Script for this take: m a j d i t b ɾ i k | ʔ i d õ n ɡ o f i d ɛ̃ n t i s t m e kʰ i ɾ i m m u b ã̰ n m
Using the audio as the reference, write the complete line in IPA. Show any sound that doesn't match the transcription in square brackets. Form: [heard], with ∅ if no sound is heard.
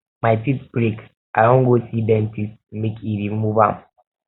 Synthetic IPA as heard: m a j [t] i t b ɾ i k | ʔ [a] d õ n ɡ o [s] i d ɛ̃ n t i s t m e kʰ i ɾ i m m u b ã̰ [∅] m

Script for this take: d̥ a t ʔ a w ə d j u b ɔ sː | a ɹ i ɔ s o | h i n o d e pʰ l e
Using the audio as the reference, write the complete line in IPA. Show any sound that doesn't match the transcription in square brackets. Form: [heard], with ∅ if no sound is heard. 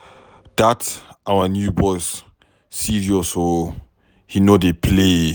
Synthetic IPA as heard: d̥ a t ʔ a w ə [n] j u b ɔ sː | [i] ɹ i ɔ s o | h i n o d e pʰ l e

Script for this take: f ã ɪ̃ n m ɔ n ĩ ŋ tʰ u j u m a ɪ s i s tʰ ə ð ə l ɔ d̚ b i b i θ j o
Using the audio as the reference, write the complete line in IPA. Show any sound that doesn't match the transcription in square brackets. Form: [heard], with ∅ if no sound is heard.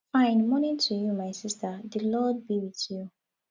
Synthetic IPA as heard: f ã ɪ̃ n m ɔ n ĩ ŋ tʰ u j u m a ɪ s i s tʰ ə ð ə l ɔ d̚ b i [w] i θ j [u]

